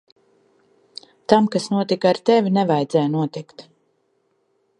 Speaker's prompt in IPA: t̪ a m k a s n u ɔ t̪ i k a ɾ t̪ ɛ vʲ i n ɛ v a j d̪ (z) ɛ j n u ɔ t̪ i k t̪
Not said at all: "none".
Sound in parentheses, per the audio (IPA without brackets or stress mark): z